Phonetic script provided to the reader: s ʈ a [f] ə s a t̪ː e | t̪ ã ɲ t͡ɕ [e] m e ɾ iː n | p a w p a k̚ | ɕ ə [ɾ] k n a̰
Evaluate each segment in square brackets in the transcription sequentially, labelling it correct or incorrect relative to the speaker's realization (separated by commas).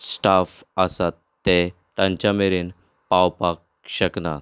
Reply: correct, incorrect, incorrect